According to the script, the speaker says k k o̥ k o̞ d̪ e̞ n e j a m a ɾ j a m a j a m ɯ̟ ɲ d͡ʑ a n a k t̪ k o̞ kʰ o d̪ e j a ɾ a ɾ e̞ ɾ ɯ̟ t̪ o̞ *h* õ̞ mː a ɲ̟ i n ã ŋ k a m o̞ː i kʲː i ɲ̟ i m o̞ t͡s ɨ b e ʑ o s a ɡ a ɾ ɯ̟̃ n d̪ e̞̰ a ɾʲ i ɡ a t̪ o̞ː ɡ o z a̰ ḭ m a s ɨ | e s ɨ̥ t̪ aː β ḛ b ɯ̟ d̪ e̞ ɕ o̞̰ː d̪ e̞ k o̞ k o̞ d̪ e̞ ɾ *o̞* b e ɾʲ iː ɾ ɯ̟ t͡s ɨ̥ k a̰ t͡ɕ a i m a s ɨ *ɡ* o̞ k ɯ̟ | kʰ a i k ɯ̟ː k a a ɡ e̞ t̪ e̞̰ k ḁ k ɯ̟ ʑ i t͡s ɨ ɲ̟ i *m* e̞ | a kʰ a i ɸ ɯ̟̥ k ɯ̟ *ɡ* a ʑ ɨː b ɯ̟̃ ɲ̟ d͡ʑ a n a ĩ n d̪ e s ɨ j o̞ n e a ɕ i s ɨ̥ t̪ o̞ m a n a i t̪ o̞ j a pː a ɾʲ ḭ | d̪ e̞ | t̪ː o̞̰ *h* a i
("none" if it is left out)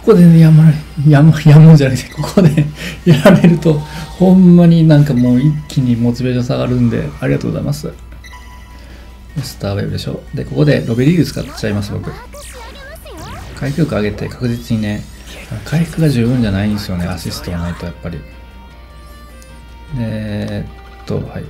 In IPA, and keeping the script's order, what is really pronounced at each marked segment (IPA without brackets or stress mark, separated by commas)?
h, o̞, b, n, ɡ, h